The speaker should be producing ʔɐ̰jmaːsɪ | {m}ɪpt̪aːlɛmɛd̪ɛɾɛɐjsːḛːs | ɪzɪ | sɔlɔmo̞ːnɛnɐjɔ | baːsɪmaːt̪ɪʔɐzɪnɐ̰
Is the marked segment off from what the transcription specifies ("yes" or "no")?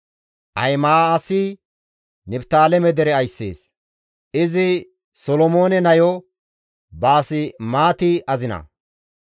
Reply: yes